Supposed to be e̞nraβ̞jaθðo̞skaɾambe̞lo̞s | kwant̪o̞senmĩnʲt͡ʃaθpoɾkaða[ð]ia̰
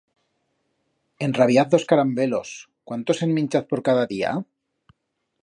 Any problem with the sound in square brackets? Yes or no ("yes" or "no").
no